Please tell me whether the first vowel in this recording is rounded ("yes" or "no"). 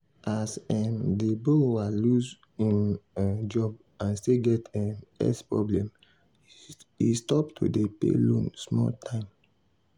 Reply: no